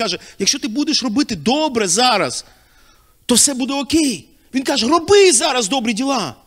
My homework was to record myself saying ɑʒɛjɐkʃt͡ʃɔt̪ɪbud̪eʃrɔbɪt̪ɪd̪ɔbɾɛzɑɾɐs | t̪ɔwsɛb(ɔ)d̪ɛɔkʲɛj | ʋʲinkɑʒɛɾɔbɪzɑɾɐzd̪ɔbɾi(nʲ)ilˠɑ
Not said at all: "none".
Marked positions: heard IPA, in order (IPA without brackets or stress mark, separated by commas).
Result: u, dʲ